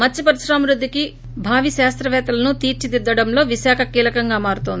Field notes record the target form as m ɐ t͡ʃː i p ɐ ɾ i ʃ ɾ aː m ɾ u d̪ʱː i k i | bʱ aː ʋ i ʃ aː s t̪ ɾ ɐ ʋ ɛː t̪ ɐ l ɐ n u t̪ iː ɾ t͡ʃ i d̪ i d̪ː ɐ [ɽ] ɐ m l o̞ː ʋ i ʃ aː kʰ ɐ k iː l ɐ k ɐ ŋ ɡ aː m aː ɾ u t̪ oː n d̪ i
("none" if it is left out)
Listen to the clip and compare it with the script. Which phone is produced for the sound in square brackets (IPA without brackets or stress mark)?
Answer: ɽ